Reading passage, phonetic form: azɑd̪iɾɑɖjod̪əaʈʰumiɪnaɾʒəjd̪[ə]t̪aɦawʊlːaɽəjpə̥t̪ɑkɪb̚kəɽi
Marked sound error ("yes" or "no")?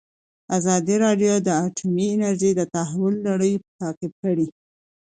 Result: no